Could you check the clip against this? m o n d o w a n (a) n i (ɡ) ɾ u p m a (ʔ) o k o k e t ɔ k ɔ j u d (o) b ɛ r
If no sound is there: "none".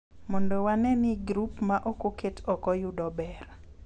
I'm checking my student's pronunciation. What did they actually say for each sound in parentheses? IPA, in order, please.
ɛ, ɡ, ʔ, ɔ

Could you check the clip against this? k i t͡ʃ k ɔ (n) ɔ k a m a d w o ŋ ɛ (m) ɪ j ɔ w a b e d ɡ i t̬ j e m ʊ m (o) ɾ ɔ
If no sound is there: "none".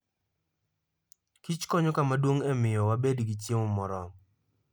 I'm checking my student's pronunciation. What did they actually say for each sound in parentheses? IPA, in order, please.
ɲ, m, ɔ

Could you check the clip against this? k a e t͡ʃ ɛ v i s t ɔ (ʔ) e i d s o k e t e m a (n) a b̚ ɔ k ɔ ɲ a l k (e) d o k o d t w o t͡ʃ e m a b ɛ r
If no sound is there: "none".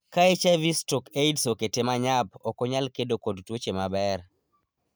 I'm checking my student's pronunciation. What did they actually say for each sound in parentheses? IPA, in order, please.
k, ɲ, e

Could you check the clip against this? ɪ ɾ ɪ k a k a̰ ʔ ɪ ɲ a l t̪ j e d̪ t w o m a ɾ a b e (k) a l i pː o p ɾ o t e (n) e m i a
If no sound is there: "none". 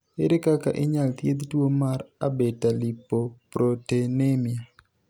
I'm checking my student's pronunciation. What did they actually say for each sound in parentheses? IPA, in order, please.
t, n

